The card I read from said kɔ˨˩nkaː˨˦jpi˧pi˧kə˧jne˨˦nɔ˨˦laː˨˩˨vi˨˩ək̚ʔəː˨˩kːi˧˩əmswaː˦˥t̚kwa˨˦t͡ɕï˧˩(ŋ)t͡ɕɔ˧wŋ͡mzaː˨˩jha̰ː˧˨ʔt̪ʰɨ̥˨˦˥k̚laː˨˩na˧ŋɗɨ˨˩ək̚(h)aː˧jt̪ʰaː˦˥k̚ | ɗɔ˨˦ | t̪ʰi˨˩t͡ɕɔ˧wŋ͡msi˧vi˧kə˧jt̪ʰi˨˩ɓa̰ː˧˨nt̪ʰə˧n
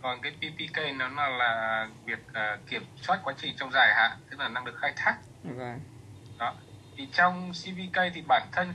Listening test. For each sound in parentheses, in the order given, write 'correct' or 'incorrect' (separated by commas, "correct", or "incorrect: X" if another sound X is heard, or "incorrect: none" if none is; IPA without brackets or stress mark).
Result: correct, incorrect: x